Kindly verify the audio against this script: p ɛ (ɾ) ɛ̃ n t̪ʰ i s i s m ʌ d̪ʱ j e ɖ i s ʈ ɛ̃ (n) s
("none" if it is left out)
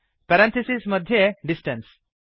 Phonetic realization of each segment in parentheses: ɾ, n

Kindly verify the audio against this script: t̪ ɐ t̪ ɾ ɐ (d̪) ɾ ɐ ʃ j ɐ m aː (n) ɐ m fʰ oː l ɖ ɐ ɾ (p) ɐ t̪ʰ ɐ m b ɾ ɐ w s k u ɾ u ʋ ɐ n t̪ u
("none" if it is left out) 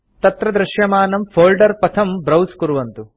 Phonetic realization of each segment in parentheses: d̪, n, p

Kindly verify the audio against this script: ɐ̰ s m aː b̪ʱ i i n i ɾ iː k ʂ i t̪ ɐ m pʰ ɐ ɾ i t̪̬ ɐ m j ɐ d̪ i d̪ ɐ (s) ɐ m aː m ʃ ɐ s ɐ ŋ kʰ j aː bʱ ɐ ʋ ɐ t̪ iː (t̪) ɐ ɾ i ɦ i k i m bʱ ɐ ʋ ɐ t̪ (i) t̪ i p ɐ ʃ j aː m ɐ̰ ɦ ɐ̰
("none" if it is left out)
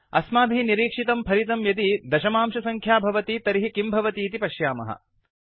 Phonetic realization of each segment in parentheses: ʃ, t̪, iː

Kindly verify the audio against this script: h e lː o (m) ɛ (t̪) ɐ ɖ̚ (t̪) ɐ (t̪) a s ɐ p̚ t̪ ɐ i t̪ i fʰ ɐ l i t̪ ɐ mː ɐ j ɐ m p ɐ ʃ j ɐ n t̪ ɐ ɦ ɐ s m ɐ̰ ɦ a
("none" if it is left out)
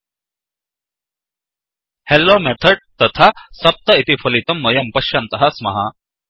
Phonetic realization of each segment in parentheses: m, t̪ʰ, t̪, t̪ʰ

